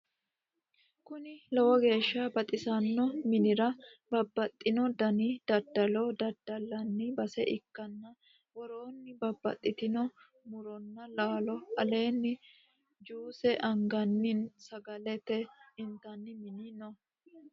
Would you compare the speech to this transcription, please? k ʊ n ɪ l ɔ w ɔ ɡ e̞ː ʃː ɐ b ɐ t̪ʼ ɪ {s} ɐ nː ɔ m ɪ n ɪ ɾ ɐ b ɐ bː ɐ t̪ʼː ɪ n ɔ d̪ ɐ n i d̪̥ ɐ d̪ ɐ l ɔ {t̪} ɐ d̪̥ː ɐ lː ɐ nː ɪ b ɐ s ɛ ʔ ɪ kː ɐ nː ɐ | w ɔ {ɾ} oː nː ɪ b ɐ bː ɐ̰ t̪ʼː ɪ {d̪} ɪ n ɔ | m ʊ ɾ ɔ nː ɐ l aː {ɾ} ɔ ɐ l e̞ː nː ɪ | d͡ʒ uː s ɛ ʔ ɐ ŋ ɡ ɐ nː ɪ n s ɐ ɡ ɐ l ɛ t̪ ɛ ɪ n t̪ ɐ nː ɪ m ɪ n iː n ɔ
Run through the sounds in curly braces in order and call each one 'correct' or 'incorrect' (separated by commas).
correct, incorrect, correct, incorrect, incorrect